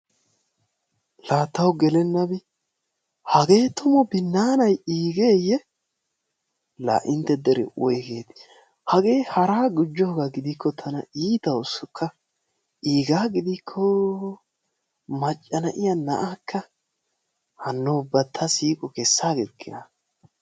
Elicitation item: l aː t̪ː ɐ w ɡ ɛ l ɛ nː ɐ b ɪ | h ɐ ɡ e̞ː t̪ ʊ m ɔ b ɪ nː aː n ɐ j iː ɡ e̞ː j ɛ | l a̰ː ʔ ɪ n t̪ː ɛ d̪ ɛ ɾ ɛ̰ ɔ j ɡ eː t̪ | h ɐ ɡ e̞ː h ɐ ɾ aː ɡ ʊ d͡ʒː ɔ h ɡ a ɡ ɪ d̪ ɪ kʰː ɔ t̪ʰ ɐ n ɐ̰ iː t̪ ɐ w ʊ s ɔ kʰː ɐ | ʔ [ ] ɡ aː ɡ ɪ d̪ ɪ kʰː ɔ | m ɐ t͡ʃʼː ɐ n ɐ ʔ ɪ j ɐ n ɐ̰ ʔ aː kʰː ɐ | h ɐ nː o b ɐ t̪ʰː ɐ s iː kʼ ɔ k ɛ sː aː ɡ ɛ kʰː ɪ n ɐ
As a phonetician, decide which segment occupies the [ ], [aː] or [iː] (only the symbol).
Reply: iː